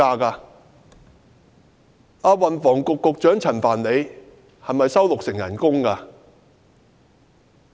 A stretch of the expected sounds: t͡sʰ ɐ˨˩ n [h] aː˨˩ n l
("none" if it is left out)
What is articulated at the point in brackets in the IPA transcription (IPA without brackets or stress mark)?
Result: f